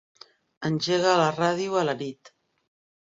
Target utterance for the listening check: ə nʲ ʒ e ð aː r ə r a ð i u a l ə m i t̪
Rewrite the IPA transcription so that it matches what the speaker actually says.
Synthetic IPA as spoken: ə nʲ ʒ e ɣ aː l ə r a ð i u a l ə n i t̪